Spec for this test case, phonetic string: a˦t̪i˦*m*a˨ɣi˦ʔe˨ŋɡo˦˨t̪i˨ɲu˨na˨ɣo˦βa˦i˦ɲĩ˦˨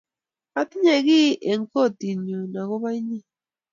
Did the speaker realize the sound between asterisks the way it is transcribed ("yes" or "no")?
no